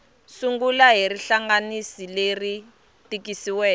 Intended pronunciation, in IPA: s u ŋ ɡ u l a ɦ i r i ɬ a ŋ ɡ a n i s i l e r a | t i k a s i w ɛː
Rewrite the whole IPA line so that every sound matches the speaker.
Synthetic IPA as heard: s u ŋ ɡ u l a ɦ i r i ɬ a ŋ ɡ a n i s i l e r i | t i k i s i w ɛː

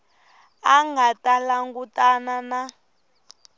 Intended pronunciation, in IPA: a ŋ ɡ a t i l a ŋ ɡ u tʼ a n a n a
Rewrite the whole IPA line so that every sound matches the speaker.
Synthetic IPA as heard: a ŋ ɡ a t a l a ŋ ɡ u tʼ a n a n a

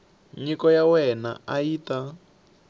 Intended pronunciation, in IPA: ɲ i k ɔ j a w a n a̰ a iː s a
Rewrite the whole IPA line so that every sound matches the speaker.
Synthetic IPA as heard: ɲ i k ɔ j a w ɛ n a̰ a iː t a

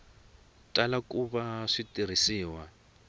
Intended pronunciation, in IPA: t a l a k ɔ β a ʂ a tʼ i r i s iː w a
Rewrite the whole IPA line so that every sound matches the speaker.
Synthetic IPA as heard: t a l a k u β a ʂ i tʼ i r i s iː w a

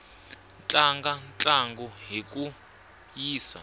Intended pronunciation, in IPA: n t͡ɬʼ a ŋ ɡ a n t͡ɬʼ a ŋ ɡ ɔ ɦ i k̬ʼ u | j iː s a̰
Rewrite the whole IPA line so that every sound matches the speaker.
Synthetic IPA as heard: n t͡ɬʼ a ŋ ɡ a n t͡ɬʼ a ŋ ɡ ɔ ɦ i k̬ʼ u | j iː s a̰

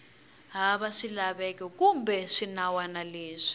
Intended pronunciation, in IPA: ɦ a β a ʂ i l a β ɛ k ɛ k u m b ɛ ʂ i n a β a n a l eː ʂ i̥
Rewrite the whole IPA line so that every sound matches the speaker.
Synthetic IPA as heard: ɦ a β a ʂ i l a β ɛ k ɛ k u m b ɛ ʂ i n a w a n a l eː ʂ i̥

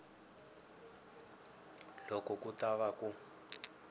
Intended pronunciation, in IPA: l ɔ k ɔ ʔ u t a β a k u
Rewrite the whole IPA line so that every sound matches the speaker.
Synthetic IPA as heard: l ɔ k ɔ k u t a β a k u

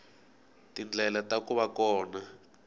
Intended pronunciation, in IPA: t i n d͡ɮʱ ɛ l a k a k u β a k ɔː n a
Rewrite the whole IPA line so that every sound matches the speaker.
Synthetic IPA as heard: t i n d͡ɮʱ ɛ l a t a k u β a k ɔː n a

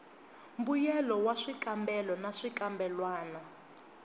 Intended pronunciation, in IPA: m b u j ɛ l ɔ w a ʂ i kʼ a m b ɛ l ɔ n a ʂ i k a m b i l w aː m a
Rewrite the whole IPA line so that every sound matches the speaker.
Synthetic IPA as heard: m b u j ɛ l ɔ w a ʂ i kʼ a m b ɛ l ɔ n a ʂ i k a m b ɛ l w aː n a

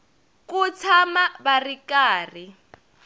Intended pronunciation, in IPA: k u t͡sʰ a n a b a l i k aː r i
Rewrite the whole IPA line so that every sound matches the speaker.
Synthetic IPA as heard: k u t͡sʰ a m a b a r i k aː r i

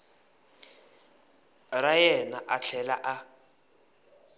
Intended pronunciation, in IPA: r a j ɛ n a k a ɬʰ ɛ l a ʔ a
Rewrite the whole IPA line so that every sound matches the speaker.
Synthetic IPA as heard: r a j ɛ n a ʔ a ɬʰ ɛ l a ʔ a

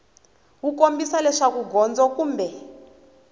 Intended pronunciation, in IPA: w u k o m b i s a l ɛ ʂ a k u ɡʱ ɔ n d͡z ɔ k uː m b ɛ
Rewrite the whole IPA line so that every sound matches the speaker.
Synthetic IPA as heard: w u k o m b i s a l ɛ ʂ a k u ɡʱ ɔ n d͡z ɔ k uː m b ɛ

